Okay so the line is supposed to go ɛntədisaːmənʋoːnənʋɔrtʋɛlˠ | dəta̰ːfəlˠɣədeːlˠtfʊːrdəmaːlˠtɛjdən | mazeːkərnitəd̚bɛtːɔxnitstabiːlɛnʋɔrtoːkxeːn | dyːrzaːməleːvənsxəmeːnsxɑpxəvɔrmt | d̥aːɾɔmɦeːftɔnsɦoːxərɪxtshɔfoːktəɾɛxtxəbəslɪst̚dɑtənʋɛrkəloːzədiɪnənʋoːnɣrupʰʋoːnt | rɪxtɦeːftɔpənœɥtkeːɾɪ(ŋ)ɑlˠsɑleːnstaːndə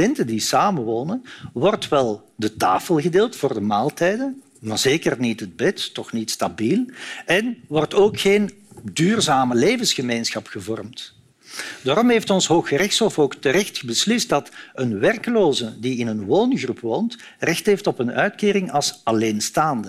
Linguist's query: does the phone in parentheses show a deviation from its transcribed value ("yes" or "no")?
no